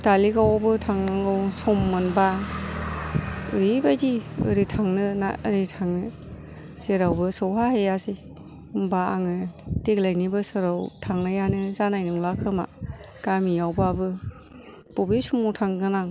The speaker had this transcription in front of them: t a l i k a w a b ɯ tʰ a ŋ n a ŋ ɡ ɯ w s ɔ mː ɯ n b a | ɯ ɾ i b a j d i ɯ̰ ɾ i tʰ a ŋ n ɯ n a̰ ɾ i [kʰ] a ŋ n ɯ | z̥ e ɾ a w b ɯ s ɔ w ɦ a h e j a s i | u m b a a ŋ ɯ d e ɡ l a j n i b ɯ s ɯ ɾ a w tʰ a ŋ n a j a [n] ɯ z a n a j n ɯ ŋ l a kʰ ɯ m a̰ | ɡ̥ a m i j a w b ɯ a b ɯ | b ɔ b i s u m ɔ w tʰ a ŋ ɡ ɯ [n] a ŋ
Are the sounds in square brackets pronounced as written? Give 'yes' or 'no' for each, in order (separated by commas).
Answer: no, yes, yes